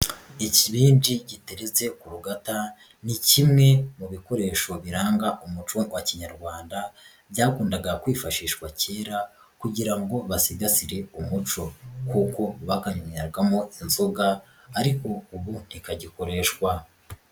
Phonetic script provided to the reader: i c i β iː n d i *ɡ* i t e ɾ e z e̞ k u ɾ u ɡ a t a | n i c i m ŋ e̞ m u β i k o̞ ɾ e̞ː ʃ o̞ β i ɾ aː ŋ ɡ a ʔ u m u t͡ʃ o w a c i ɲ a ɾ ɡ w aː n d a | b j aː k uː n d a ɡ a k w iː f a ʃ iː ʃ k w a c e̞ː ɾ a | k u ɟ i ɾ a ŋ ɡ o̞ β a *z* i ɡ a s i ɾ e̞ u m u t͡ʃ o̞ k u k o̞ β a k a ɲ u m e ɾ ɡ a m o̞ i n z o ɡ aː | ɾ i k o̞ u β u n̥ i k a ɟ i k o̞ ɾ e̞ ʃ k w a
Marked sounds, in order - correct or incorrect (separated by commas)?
incorrect, incorrect